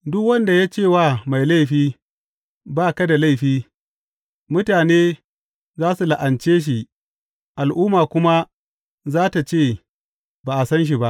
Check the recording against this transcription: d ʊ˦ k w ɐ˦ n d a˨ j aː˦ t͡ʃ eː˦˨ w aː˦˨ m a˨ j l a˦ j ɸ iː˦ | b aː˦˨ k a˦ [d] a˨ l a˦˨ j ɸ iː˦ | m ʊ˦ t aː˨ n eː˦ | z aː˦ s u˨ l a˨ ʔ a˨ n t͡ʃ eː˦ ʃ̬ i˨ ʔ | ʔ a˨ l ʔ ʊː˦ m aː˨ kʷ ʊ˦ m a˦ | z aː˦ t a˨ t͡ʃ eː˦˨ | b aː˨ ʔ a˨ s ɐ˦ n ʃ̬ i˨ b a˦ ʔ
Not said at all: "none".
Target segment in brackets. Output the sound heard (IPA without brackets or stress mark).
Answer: d